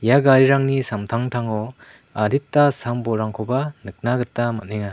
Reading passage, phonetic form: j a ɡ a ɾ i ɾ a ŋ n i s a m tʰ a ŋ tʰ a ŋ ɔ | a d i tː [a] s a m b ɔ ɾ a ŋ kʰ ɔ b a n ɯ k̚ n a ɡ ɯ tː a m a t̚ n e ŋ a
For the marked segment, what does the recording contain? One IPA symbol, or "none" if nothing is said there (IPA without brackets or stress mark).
a